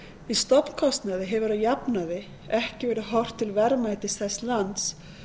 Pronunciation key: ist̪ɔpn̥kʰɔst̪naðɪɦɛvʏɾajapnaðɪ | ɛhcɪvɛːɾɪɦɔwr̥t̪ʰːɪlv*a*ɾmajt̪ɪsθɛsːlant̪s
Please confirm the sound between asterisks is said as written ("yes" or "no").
no